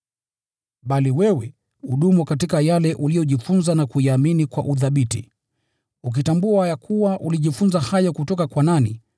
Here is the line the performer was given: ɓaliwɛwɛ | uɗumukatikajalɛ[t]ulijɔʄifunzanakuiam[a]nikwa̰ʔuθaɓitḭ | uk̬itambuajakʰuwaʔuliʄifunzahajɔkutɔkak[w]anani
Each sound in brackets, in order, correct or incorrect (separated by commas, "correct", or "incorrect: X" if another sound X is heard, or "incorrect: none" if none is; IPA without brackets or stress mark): incorrect: ʔ, incorrect: i, correct